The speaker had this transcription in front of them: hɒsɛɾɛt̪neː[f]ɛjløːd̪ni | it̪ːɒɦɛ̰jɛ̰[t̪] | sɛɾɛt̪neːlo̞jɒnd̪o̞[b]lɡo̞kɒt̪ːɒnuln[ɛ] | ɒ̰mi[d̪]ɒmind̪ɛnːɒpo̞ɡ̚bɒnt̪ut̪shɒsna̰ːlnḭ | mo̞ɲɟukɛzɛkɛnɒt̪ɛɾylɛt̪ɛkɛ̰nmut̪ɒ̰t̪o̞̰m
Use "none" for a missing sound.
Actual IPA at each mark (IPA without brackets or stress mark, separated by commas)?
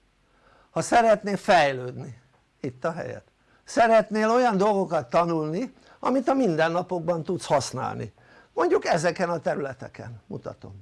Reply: f, t̪, none, i, t̪